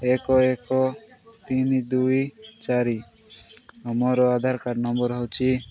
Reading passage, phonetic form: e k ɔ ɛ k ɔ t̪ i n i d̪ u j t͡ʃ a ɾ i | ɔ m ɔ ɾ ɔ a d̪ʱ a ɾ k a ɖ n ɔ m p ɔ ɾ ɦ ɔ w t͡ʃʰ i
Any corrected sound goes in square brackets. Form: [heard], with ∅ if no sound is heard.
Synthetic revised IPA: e k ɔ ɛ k ɔ t̪ i n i d̪ u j t͡ʃ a ɾ i | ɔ m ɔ ɾ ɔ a d̪ʱ a ɾ k a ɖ n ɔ m [b] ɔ ɾ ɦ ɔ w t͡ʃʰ i